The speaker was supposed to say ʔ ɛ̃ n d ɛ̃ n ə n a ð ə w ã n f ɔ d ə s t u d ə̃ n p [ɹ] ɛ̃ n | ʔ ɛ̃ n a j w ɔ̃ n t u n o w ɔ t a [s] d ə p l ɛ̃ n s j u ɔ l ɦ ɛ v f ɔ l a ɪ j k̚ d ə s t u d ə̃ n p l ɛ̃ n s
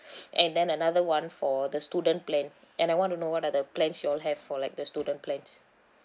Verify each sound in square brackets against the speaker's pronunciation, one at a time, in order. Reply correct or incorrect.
incorrect: l, incorrect: none

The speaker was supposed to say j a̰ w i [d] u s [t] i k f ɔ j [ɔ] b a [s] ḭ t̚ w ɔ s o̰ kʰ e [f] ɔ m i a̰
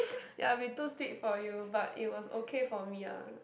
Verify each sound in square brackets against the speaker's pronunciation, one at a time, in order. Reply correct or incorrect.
incorrect: t, correct, incorrect: u, incorrect: t, correct

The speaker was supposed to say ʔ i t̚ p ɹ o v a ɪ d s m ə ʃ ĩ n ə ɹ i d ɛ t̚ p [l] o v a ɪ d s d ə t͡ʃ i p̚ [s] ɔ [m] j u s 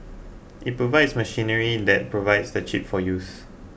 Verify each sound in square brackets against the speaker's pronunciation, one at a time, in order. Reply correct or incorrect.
incorrect: ɹ, incorrect: f, incorrect: none

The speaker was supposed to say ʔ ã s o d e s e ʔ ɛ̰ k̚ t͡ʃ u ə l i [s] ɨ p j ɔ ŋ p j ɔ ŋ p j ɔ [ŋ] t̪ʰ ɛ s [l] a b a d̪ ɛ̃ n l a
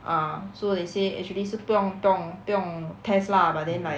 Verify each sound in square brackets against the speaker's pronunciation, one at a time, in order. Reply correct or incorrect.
correct, correct, correct

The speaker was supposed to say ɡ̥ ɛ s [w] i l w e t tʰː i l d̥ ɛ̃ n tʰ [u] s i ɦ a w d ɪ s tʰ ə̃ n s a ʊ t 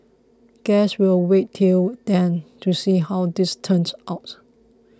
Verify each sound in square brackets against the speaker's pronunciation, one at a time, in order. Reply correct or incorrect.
correct, correct

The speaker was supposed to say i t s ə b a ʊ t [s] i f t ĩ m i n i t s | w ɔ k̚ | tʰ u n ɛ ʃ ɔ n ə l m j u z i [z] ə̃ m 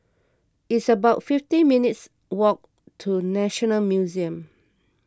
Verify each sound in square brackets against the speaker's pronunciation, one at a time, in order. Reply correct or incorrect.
incorrect: f, incorrect: none

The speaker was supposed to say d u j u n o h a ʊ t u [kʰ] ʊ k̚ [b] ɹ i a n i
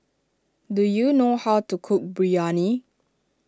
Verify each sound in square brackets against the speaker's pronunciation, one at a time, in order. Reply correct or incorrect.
correct, correct

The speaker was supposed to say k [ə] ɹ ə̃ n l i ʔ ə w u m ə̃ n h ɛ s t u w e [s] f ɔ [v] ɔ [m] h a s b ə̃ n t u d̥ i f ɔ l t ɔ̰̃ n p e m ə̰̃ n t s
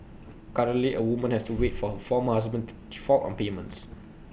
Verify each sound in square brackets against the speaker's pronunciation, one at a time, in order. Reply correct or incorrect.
incorrect: a, incorrect: t, incorrect: f, correct

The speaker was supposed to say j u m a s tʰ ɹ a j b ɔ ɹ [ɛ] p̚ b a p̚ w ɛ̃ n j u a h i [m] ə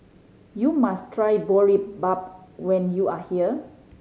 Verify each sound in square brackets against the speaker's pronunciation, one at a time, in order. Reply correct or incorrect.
incorrect: i, incorrect: none

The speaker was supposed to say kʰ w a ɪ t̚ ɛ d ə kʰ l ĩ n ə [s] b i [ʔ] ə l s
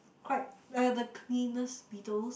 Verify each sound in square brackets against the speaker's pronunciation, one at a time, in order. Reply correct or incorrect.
correct, incorrect: t

